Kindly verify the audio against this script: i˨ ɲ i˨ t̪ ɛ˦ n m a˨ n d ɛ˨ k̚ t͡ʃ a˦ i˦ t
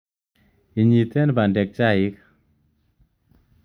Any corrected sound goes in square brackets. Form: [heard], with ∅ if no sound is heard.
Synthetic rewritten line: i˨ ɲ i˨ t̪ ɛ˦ n [b] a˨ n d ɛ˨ k̚ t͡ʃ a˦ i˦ [k]